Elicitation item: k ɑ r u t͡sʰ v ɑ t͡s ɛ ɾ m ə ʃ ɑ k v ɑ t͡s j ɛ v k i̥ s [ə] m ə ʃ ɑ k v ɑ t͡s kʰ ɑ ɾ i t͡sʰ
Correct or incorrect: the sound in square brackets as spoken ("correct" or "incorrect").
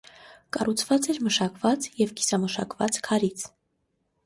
incorrect